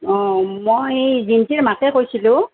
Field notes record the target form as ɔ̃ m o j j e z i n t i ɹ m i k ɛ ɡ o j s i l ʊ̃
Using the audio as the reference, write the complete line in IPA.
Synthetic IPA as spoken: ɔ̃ m o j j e z i n t i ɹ m a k ɛ k o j s i l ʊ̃

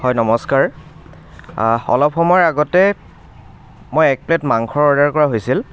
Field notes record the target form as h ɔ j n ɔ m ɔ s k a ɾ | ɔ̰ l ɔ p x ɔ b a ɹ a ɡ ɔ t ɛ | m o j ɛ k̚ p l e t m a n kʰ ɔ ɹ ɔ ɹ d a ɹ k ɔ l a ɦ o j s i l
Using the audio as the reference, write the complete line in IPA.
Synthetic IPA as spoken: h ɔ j n ɔ m ɔ s k a ɹ | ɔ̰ l ɔ p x ɔ m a ɹ a ɡ ɔ t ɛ | m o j ɛ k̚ p l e t m a ŋ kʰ ɔ ɹ ɔ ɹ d a ɹ k ɔ ɹ a ɦ o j s i l

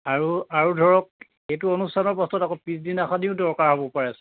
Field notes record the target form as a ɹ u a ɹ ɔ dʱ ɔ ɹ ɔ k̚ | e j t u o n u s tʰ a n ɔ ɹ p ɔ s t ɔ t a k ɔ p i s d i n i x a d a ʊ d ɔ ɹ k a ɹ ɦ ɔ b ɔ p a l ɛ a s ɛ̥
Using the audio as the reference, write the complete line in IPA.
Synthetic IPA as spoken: a ɹ u a ɹ u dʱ ɔ ɹ ɔ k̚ | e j t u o n u s tʰ a n ɔ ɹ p ɔ s t ɔ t a k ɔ p i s d i n a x a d i ʊ d ɔ ɹ k a ɹ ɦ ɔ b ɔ p a ɹ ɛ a s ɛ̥

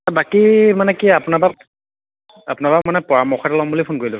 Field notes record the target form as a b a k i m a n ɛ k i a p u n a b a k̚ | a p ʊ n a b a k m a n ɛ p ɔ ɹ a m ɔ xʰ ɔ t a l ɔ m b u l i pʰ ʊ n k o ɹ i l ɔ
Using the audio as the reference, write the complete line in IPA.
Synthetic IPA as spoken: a b a k i m a n ɛ k i a p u n a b a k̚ | a p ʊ n a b a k m a n ɛ p ɔ ɹ a m ɔ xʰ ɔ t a l ɔ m b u l i pʰ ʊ n k o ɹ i l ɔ

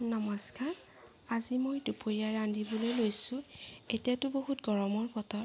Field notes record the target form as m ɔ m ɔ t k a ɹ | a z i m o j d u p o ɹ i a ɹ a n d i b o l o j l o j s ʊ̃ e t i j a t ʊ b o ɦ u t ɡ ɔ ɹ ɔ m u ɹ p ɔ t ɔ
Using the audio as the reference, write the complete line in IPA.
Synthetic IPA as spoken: n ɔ m ɔ s k a ɹ | a z i m o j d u p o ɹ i a ɹ a n d i b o l o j l o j s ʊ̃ e t i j a t ʊ b o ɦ u t ɡ ɔ ɹ ɔ m ɔ ɹ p ɔ t ɔ

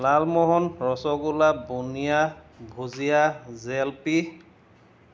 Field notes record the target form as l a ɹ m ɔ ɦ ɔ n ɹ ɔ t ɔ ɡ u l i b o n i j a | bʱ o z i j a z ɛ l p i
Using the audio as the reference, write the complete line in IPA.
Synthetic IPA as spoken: l a l m ɔ ɦ ɔ n ɹ ɔ s ɔ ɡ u l a b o n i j a | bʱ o z i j a z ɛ l p i

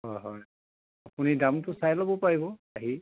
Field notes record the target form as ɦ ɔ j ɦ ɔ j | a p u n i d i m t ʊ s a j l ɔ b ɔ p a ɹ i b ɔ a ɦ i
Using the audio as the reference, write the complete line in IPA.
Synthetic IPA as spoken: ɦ ɔ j ɦ ɔ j | a p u n i d a m t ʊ s a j l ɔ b ɔ p a ɹ i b ɔ a ɦ i

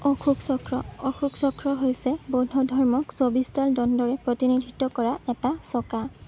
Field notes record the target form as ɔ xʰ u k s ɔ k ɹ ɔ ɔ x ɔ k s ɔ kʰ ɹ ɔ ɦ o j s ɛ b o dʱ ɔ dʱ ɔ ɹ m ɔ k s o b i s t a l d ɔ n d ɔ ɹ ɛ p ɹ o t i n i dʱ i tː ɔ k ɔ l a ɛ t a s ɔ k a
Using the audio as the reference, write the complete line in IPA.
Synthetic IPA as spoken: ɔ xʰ u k s ɔ k ɹ ɔ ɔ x u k s ɔ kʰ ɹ ɔ ɦ o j s ɛ b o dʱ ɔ dʱ ɔ ɹ m ɔ k s o b i s t a l d ɔ n d ɔ ɹ ɛ p ɹ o t i n i dʱ i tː ɔ k ɔ ɹ a ɛ t a s ɔ k a

